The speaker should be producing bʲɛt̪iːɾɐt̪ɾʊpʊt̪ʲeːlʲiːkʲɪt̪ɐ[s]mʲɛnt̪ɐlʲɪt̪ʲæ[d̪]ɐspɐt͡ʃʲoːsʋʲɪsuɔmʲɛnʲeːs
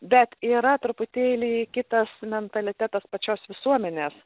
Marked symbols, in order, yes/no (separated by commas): yes, no